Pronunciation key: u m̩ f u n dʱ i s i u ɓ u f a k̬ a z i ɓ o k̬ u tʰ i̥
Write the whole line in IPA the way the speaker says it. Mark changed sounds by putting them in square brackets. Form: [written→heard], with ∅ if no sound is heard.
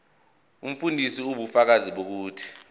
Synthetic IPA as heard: u m̩ f u n dʱ i s i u ɓ u f a k̬ a z i ɓ o k̬ [u→uː] tʰ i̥